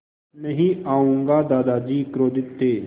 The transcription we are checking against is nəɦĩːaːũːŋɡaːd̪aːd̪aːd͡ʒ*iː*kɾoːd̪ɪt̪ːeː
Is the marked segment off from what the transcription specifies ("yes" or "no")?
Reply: no